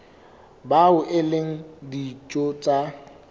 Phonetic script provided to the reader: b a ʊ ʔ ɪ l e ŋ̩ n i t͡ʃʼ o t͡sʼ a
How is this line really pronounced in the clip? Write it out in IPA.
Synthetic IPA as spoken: b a ʊ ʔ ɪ l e ŋ̩ d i t͡ʃʼ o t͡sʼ a